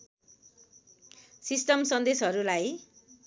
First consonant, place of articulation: alveolar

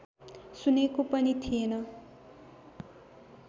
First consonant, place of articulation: alveolar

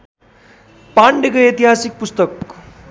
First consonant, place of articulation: labial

